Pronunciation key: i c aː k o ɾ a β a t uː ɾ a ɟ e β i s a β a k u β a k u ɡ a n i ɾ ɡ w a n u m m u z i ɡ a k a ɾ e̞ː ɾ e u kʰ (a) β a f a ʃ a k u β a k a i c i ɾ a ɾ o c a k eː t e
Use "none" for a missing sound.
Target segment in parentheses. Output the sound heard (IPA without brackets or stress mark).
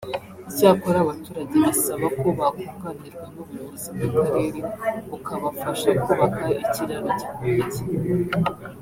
a